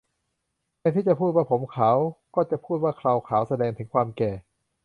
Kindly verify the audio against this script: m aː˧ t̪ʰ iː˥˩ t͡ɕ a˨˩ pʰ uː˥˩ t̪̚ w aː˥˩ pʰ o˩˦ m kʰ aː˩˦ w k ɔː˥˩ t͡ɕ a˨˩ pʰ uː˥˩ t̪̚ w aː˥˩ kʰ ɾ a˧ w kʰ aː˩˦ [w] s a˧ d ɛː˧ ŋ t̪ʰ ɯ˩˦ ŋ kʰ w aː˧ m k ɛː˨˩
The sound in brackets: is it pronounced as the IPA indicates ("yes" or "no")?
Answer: yes